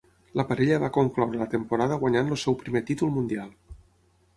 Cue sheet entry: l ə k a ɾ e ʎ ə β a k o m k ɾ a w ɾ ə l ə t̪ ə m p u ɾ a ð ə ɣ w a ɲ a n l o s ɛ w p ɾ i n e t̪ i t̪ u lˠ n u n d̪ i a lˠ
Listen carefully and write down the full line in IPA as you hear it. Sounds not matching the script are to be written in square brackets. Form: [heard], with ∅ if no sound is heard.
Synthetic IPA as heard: l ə [p] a ɾ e ʎ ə β a k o [ŋ] k [l] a w ɾ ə l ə t̪ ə m p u ɾ a ð ə ɣ w a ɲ a n l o s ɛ w p ɾ i [m] e t̪ i t̪ u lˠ [m] u n d̪ i a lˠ